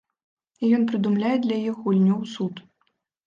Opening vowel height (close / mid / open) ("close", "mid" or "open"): close